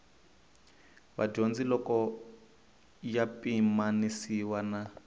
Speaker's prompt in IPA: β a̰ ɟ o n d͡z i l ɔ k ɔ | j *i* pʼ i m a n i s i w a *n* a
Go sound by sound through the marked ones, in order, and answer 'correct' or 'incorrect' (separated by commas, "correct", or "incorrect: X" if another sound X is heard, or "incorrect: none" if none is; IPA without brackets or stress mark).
incorrect: a, correct